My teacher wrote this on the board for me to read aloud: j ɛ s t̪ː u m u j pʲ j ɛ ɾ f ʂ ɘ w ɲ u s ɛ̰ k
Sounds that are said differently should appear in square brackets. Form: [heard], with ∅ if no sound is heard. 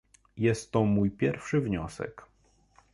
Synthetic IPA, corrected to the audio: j ɛ s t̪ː [ɔ] m u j pʲ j ɛ ɾ f ʂ ɘ [v] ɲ [ɔ] s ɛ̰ k